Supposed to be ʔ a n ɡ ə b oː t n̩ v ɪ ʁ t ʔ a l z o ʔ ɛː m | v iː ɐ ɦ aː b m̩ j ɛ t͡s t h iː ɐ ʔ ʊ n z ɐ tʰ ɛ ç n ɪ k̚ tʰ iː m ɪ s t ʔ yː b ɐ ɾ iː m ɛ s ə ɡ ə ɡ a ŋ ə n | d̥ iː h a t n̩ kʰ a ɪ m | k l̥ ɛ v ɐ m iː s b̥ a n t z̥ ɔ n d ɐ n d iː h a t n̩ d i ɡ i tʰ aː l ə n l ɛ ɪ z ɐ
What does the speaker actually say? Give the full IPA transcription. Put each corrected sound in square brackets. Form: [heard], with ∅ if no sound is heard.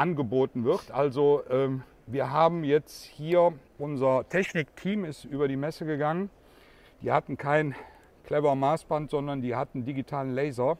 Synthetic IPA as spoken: ʔ a n ɡ ə b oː t n̩ v ɪ ʁ t ʔ a l z o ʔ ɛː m | v iː ɐ ɦ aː b m̩ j ɛ t͡s t h iː ɐ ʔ ʊ n z ɐ tʰ ɛ ç n ɪ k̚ tʰ iː m ɪ s t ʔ yː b ɐ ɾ iː m ɛ s ə ɡ ə ɡ a ŋ ə n | d̥ iː h a t n̩ kʰ a ɪ [n] | k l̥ ɛ v ɐ m [aː] s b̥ a n t z̥ ɔ n d ɐ n d iː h a t n̩ d i ɡ i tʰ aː l ə n l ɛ ɪ z ɐ